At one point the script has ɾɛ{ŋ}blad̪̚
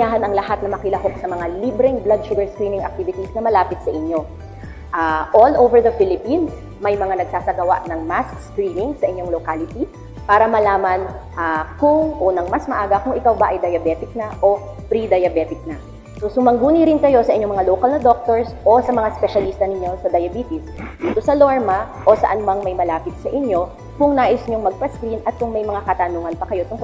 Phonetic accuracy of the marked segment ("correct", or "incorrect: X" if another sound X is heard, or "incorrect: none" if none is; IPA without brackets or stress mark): correct